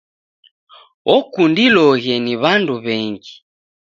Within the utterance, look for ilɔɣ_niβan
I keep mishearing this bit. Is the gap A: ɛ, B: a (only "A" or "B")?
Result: A